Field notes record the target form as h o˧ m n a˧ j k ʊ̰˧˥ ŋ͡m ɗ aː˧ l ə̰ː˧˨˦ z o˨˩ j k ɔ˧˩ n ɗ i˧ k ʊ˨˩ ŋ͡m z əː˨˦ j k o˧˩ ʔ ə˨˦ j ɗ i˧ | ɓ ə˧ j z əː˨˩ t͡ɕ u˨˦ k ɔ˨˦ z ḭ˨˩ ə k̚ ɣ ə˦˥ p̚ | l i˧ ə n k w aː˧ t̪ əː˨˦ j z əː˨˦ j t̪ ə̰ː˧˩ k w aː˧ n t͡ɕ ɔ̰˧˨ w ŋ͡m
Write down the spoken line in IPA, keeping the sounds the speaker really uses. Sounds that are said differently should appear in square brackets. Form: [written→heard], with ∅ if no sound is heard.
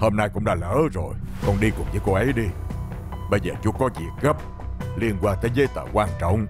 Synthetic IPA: h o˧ m n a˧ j k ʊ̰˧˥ ŋ͡m ɗ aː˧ l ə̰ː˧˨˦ z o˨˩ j k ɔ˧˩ n ɗ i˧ k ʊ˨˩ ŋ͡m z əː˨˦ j k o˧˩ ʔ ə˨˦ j ɗ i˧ | ɓ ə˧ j z əː˨˩ t͡ɕ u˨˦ k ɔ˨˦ z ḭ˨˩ ə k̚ ɣ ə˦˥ p̚ | l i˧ ə n k w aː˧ t̪ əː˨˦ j z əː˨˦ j t̪ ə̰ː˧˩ k w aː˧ n t͡ɕ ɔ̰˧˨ w ŋ͡m